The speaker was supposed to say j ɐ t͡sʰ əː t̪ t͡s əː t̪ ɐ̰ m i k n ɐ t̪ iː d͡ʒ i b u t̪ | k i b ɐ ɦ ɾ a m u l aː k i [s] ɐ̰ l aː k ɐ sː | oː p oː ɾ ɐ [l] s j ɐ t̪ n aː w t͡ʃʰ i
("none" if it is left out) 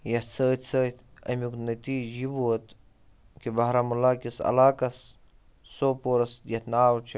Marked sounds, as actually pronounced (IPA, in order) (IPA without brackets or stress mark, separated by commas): s, none